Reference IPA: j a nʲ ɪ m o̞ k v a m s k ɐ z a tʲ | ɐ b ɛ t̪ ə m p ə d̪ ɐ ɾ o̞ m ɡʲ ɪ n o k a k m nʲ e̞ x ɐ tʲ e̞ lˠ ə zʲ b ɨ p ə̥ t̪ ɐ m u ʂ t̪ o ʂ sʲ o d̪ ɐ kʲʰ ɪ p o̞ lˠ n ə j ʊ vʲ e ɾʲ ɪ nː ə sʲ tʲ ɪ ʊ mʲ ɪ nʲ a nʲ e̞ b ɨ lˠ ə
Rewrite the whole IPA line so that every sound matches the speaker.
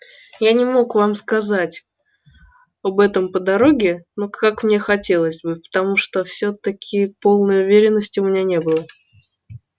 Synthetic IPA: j a nʲ ɪ m o̞ k v a m s k ɐ z a tʲ | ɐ b ɛ t̪ ə m p ə d̪ ɐ ɾ o̞ ɡʲ ɪ n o k a k m nʲ e̞ x ɐ tʲ e̞ lˠ ə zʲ b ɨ p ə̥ t̪ ɐ m u ʂ t̪ o f sʲ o t̪ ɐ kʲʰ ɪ p o̞ lˠ n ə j ʊ vʲ e ɾʲ ɪ nː ə sʲ tʲ ɪ ʊ mʲ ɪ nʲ a nʲ e̞ b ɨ lˠ ə